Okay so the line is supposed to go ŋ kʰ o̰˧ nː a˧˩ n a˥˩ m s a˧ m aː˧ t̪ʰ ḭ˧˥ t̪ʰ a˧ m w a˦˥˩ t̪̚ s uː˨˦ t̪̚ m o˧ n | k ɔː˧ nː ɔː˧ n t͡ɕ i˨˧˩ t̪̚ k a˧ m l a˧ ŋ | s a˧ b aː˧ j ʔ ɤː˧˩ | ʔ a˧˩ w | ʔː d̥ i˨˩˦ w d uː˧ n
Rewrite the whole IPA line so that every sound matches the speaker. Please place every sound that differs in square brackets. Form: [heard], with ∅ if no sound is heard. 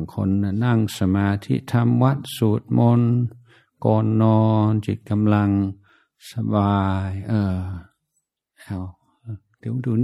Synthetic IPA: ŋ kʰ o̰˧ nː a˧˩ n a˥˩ [ŋ] s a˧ m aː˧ t̪ʰ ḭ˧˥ t̪ʰ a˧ m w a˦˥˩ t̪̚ s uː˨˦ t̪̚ m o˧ n | k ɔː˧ nː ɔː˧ n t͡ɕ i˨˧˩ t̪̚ k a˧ m l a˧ ŋ | s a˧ b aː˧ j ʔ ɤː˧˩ | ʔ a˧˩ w | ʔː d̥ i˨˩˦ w d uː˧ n